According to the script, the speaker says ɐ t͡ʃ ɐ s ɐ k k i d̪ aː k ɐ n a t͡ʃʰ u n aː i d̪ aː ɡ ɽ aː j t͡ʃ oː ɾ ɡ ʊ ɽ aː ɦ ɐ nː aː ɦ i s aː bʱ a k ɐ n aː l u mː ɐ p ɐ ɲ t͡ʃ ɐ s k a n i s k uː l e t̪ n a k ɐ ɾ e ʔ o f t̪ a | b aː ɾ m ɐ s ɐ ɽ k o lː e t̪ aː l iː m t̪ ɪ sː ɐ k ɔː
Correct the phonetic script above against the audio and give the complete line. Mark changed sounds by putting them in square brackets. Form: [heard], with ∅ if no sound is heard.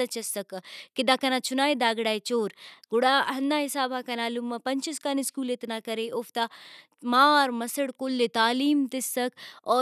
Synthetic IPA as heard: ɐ t͡ʃ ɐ s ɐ k k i d̪ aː k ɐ n a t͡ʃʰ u n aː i d̪ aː ɡ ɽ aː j t͡ʃ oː ɾ ɡ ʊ ɽ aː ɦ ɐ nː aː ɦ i s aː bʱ a k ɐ n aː l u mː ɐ p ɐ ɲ t͡ʃ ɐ s k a n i s k uː l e t̪ n a k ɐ ɾ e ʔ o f t̪ a | [m] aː ɾ m ɐ s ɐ ɽ k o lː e t̪ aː l iː m t̪ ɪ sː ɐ k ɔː